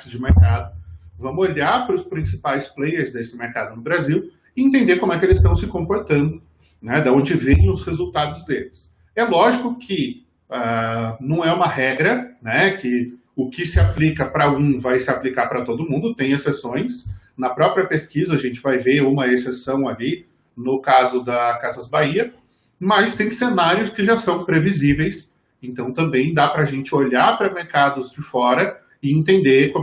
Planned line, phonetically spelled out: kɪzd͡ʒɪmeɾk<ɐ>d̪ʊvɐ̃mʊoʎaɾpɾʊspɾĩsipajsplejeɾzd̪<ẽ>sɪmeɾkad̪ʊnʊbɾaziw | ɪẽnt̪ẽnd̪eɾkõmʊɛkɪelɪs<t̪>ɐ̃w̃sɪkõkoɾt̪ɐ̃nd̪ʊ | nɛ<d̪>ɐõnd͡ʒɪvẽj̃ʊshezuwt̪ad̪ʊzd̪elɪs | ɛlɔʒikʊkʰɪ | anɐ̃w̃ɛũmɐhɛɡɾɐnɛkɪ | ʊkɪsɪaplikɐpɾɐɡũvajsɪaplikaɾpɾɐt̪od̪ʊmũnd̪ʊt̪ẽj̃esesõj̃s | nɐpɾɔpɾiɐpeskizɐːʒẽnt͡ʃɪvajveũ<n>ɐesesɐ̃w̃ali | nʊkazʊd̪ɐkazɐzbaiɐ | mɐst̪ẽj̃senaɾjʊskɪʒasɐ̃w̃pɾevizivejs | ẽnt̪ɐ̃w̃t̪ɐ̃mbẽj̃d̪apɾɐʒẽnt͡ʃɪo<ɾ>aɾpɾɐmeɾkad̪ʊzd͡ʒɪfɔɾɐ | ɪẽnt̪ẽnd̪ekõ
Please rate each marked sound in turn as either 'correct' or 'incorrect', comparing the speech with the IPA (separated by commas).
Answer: incorrect, incorrect, correct, correct, incorrect, incorrect